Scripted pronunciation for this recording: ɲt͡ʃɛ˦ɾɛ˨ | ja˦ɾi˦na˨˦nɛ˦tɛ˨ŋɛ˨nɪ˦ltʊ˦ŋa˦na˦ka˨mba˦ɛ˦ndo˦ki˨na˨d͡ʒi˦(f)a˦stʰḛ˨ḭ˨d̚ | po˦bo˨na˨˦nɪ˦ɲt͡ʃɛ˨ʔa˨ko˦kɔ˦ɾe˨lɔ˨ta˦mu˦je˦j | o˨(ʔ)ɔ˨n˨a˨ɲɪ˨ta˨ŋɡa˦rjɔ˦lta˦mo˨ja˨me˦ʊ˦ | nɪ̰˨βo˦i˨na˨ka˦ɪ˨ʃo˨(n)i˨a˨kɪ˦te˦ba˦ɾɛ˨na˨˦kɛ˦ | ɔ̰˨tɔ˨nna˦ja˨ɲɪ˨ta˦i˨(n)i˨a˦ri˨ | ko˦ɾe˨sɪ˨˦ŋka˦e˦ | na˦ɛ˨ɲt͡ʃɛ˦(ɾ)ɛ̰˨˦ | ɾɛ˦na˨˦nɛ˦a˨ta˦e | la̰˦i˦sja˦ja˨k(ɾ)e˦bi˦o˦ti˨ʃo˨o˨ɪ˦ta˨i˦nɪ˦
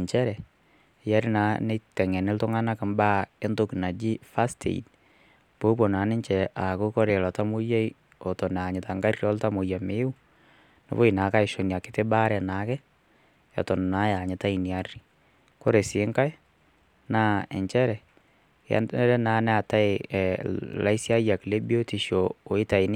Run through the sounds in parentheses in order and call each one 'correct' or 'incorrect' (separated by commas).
correct, incorrect, correct, correct, correct, incorrect